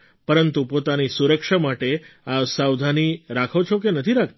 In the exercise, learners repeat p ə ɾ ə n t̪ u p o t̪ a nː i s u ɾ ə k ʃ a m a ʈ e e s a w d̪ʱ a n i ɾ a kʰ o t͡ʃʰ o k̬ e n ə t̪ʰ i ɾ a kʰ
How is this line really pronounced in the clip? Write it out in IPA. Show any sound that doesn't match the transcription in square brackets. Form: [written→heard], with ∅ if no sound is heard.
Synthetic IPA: p ə ɾ ə n t̪ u p o t̪ a [nː→n] i s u ɾ ə k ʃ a m a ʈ e [e→a] s a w d̪ʱ a n i ɾ a kʰ o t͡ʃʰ o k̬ e n ə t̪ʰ i ɾ a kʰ